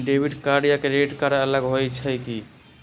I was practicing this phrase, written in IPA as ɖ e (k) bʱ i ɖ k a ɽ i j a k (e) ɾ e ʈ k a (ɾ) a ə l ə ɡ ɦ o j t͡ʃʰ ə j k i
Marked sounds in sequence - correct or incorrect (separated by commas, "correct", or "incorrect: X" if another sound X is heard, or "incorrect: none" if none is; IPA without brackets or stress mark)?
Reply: incorrect: none, correct, correct